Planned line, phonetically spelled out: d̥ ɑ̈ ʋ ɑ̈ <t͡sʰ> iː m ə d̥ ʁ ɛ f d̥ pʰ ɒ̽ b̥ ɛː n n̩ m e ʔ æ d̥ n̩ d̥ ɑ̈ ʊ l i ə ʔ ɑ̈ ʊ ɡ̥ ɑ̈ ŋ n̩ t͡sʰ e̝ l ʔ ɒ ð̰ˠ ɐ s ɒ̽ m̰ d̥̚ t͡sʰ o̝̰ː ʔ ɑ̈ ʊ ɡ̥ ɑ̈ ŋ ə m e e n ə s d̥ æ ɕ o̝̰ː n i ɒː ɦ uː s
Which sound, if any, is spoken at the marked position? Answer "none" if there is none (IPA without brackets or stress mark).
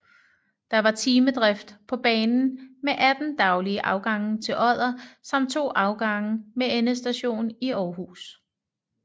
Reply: t͡sʰ